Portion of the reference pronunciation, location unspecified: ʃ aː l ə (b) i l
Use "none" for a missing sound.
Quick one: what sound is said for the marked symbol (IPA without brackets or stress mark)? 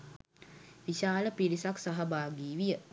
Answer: p